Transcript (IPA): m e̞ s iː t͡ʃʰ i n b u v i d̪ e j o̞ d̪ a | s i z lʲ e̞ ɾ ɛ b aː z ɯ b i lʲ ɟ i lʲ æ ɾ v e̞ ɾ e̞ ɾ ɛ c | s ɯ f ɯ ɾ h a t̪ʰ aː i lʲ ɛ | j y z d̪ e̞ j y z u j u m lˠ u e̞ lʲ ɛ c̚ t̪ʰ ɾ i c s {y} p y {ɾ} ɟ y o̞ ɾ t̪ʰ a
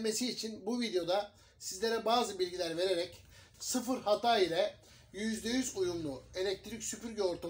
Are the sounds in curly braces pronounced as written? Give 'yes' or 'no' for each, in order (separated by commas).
yes, yes